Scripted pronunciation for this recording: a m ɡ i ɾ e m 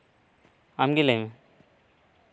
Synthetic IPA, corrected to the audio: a m ɡ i l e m